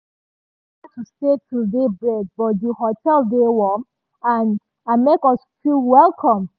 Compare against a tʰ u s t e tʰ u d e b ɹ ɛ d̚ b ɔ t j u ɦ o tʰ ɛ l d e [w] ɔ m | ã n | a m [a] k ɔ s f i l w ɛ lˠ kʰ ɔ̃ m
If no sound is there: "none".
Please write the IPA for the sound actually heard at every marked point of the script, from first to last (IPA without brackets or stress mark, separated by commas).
w, e